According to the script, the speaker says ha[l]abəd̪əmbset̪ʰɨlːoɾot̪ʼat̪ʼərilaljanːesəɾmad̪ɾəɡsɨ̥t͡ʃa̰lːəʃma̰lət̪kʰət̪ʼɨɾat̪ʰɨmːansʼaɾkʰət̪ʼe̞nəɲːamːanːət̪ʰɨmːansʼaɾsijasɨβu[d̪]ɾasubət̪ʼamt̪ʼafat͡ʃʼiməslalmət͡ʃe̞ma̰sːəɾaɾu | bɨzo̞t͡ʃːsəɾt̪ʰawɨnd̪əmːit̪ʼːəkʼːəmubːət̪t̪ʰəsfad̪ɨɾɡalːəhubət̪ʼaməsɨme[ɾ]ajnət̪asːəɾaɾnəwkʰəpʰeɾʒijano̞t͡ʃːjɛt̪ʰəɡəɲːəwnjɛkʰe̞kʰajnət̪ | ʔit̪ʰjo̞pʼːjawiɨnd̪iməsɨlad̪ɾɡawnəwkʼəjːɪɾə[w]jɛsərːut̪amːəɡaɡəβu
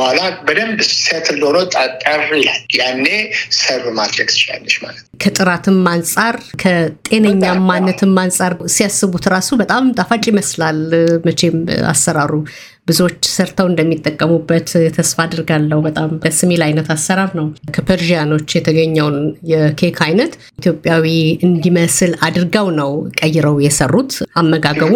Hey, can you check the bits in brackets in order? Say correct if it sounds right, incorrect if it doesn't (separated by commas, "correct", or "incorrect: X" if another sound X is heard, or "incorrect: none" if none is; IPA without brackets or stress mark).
correct, incorrect: t̪, incorrect: l, correct